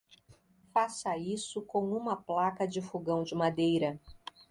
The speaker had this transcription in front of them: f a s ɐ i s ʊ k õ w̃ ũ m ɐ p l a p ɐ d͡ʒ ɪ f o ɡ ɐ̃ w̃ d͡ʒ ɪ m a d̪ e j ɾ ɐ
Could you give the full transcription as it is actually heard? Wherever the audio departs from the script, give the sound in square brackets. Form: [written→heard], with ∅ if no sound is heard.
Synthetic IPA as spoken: f a s ɐ i s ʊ k õ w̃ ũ m ɐ p l a [p→k] ɐ d͡ʒ ɪ f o ɡ ɐ̃ w̃ d͡ʒ ɪ m a d̪ e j ɾ ɐ